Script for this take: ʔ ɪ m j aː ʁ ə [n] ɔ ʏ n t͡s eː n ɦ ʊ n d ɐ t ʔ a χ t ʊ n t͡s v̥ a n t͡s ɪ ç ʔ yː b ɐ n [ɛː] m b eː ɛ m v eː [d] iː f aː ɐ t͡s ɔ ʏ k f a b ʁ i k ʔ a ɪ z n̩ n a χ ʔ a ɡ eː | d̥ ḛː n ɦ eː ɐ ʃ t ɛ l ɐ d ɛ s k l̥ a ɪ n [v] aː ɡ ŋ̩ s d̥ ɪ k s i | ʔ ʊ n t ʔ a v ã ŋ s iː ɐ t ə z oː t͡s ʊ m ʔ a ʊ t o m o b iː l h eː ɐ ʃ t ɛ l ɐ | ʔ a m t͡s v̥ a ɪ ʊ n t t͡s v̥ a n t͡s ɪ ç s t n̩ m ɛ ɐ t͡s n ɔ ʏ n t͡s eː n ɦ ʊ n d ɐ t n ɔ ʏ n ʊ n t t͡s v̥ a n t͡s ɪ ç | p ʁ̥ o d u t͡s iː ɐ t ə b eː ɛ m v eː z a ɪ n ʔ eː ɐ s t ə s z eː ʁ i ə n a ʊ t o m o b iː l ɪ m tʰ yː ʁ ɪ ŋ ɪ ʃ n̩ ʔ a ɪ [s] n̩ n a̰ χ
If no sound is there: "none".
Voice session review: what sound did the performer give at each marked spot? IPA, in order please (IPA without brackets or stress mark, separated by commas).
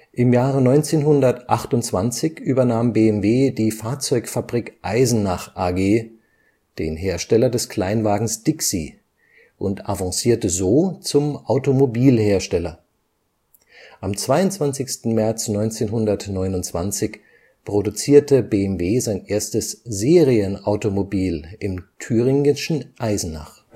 n, aː, d, v, z